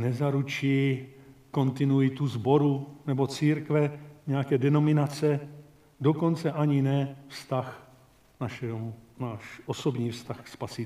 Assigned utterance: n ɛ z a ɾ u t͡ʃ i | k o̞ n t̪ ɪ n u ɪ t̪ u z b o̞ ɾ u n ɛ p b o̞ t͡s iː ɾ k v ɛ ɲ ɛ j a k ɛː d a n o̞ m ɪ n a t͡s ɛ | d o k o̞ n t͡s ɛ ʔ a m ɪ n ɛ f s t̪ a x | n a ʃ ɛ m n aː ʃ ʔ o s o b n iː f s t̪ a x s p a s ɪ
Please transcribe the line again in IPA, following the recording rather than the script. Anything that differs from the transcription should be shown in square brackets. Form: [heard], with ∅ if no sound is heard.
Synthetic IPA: n ɛ z a ɾ u t͡ʃ i | k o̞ n t̪ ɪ n u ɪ t̪ u z b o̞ ɾ u n ɛ [∅] b o̞ t͡s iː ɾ k v ɛ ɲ ɛ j a k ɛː d [ɛ] n o̞ m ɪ n a t͡s ɛ | d o k o̞ n t͡s ɛ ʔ a [ɲ] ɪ n ɛ f s t̪ a x | n a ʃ ɛ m n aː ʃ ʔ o s o b [ɲ] iː f s t̪ a x s p a s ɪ